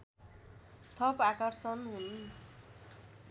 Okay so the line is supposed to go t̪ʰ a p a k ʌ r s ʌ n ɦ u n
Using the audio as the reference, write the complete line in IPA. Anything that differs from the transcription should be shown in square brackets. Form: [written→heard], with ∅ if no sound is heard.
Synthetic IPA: t̪ʰ [a→ʌ] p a k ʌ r s ʌ n ɦ u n